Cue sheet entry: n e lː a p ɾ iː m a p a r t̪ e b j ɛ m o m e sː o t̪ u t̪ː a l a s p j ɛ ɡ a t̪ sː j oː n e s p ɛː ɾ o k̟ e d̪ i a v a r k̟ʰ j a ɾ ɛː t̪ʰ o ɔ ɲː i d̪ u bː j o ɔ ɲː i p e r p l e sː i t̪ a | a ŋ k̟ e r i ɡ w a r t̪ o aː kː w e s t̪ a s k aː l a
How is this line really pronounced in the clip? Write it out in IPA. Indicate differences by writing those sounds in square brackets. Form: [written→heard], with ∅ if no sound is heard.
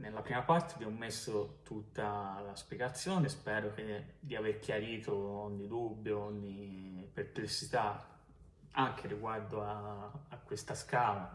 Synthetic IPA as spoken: n e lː a p ɾ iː m a p a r t̪ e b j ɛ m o m e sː o t̪ u t̪ː a l a s p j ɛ ɡ a t̪ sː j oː n e s p ɛː ɾ o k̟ e d̪ i a v [a→e] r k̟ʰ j a ɾ [ɛː→iː] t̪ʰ o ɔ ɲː i d̪ u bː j o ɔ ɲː i p e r p l e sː i t̪ a | a ŋ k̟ e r i ɡ w a r [t̪→d̪] o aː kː w e s t̪ a s k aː l a

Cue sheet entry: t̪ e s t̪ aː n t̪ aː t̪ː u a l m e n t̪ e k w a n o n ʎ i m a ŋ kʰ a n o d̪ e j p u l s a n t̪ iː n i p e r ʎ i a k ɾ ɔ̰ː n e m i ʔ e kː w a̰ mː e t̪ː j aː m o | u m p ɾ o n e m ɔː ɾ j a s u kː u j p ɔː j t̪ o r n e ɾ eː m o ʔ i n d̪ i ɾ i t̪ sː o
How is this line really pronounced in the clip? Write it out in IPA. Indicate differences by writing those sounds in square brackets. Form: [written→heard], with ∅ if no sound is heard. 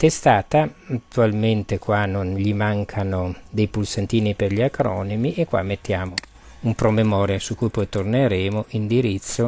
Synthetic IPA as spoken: t̪ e s t̪ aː [n→∅] t̪ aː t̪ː u a l m e n t̪ e k w a n o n ʎ i m a ŋ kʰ a n o d̪ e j p u l s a n t̪ iː n i p e r ʎ i a k ɾ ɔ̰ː n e m i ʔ e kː w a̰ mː e t̪ː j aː m o | u m p ɾ o [n→m] e m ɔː ɾ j a s u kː u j p [ɔː→ɔ] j t̪ o r n e ɾ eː m o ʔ i n d̪ i ɾ i t̪ sː o

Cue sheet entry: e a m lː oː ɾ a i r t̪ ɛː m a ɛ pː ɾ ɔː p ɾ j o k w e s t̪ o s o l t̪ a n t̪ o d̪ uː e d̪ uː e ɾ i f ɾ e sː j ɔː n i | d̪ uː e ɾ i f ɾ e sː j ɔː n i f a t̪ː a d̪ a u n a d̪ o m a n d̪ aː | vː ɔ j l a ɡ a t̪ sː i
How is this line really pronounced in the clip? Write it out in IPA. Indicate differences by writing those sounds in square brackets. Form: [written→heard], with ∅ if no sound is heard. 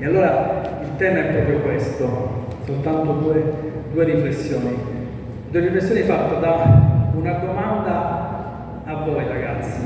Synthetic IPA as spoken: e a [m→∅] lː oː ɾ a i [r→l] t̪ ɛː m a ɛ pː ɾ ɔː p ɾ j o k w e s t̪ o s o l t̪ a n t̪ o d̪ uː e d̪ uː e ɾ i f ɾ e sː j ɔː n i | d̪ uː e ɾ i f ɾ e sː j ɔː n i f a t̪ː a d̪ a u n a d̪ o m a n d̪ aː | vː ɔ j [l→ɾ] a ɡ a t̪ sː i

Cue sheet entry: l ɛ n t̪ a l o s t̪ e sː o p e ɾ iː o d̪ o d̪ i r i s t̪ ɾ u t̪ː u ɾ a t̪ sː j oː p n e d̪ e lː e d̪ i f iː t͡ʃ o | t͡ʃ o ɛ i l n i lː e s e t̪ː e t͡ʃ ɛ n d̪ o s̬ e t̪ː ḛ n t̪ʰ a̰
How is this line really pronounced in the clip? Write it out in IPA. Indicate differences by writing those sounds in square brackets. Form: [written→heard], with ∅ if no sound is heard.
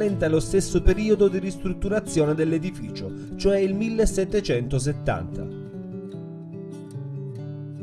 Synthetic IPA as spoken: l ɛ n t̪ a l o s t̪ e sː o p e ɾ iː o d̪ o d̪ i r i s t̪ ɾ u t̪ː u ɾ a t̪ sː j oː [p→∅] n e d̪ e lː e d̪ i f iː t͡ʃ o | t͡ʃ o ɛ i l [n→m] i lː e s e t̪ː e t͡ʃ ɛ n [d̪→t̪] o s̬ e t̪ː [ḛ→a̰] n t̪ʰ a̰

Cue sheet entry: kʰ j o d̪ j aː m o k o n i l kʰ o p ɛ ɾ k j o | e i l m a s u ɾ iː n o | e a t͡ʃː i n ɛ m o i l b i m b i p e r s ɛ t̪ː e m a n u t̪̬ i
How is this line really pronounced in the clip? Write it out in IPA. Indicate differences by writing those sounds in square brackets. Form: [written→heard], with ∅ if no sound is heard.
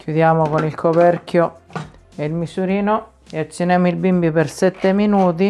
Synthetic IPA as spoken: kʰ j [o→u] d̪ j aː m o k o n i l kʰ o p ɛ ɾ k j o | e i l m [a→i] s u ɾ iː n o | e a t͡ʃː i n ɛ m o i l b i m b i p e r s ɛ t̪ː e m [a→i] n [u→uː] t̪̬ i

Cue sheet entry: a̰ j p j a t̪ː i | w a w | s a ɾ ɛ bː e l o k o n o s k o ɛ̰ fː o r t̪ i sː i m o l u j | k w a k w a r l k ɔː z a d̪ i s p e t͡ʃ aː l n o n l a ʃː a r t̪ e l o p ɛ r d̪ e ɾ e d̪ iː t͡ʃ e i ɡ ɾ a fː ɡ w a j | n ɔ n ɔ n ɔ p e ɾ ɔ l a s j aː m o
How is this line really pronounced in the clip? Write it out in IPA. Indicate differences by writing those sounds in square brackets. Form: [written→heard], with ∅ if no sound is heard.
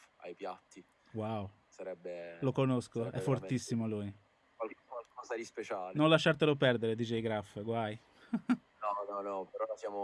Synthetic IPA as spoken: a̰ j p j a t̪ː i | w a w | s a ɾ ɛ bː e l o k o n o s k o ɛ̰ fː o r t̪ i sː i m o l u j | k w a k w a [r→∅] l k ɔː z a d̪ i s p e t͡ʃ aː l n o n l a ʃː a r t̪ e l o p ɛ r d̪ e ɾ e d̪ iː t͡ʃ e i ɡ ɾ a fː ɡ w a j | n ɔ n ɔ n ɔ p e ɾ ɔ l a s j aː m o

